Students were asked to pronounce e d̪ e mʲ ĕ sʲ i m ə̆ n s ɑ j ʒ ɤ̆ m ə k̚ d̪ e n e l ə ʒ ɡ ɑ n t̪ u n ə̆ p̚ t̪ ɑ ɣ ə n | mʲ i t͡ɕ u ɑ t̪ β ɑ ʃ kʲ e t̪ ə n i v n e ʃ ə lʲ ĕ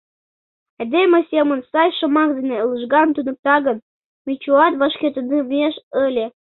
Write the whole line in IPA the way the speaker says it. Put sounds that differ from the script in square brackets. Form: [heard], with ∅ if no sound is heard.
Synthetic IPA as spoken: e d̪ e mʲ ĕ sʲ [e] m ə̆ n s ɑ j [ʃ] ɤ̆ m [ɑ] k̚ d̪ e n e l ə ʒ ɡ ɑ n t̪ u n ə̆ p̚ t̪ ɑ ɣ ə n | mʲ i t͡ɕ u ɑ t̪ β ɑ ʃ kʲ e t̪ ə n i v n e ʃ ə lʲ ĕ

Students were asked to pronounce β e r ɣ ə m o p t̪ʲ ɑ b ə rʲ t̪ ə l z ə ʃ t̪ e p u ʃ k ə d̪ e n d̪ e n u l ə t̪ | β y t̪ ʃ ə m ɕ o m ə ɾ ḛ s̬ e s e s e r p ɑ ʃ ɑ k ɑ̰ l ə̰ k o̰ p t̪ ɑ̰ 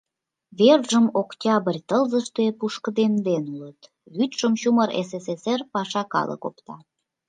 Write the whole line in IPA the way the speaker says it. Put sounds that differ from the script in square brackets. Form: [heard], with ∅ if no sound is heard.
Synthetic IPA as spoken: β e r [ʒ] ə m o [k] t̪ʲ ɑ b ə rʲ t̪ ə l z ə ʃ t̪ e p u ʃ k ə d̪ e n d̪ e n u l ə t̪ | β y t̪ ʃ ə m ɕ [u] m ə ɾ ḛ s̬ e s e s e r p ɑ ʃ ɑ k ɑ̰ l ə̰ k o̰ p t̪ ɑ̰

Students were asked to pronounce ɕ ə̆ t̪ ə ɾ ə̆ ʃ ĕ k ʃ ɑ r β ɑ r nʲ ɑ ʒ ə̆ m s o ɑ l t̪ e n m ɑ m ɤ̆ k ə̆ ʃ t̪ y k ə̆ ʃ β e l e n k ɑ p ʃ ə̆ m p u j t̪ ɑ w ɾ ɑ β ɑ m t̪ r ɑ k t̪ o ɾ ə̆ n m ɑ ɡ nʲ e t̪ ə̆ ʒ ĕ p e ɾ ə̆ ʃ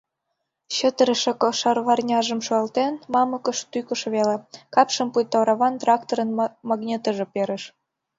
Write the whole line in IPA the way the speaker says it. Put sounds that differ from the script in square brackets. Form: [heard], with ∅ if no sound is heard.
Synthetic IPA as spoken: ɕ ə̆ t̪ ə ɾ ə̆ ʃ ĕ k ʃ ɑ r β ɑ r nʲ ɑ ʒ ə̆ m [ʃ] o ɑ l t̪ e n m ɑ m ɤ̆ k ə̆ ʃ t̪ y k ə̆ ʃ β e l e [∅] k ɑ p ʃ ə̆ m p u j t̪ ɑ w ɾ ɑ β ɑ [n] t̪ r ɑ k t̪ o ɾ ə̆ n m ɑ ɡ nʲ e t̪ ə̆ ʒ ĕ p e ɾ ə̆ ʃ

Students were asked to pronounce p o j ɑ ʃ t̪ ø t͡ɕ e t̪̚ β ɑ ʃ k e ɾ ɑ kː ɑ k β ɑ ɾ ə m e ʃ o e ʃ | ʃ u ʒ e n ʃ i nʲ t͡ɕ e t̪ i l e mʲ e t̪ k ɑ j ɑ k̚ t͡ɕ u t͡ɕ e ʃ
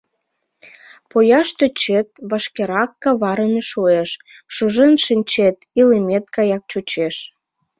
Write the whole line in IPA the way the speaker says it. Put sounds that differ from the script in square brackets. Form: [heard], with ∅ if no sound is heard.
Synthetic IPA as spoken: p o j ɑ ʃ t̪ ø t͡ɕ e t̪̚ β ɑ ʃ k e ɾ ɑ kː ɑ [∅] β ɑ ɾ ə m e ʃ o e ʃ | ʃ u ʒ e n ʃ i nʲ t͡ɕ e t̪ i l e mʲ e t̪ k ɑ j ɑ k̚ t͡ɕ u t͡ɕ e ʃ

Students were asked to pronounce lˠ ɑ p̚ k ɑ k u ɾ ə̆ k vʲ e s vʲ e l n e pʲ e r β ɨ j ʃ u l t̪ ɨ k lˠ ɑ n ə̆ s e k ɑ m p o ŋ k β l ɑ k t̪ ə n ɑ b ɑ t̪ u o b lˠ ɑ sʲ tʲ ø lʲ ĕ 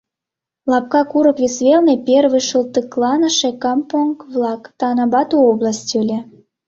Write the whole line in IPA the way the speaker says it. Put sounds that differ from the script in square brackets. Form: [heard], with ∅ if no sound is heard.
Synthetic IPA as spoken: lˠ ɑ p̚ k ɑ k u ɾ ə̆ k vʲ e s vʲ e l n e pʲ e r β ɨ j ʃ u l t̪ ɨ k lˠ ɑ n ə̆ [ʃ] e k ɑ m p o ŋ k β l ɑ k t̪ [ɑ] n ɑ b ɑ t̪ u o b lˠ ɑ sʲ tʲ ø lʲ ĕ

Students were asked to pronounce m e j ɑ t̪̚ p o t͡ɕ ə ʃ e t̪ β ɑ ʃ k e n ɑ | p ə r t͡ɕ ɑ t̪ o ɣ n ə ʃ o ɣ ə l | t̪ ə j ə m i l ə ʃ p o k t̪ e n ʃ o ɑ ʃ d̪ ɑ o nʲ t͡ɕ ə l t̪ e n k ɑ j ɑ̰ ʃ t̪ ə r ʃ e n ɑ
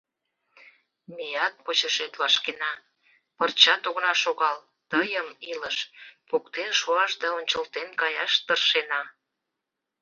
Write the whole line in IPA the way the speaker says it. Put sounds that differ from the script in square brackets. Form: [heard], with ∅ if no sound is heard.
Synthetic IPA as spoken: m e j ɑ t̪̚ p o t͡ɕ ə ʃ e t̪ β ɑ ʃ k e n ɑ | p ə r t͡ɕ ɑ t̪ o ɣ n [ɑ] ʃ o ɣ [ɑ] l | t̪ ə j ə m i l ə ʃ p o k t̪ e n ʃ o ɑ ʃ d̪ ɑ o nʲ t͡ɕ ə l t̪ e n k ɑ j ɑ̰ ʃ t̪ ə r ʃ e n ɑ

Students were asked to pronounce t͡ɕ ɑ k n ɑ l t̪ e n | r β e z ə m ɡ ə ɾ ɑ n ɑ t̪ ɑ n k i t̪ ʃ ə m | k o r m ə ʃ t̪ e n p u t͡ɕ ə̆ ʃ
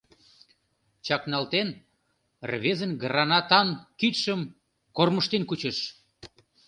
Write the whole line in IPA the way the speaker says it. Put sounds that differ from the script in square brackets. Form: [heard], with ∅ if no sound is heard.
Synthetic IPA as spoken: t͡ɕ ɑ k n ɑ l t̪ e n | r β e z ə [n] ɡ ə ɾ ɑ n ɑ t̪ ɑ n k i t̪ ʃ ə m | k o r m ə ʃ t̪ e n [k] u t͡ɕ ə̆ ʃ

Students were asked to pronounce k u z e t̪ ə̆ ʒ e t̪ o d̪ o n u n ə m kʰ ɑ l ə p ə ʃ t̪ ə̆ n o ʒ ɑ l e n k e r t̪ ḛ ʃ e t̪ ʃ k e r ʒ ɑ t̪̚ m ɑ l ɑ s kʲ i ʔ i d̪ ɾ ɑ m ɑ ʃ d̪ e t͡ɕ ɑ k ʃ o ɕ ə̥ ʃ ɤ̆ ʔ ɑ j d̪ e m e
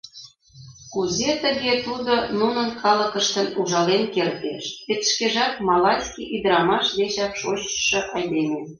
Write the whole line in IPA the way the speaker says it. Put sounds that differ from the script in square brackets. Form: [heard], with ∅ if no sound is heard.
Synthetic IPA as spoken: k u z e t̪ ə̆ [ɣ] e t̪ [u] d̪ o n u n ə [n] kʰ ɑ l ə [k] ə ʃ t̪ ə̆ n [u] ʒ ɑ l e n k e r t̪ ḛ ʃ e t̪ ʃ k e [∅] ʒ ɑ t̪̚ m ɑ l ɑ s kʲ i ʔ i d̪ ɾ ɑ m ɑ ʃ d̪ e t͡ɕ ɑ k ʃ o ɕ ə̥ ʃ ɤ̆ ʔ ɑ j d̪ e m e

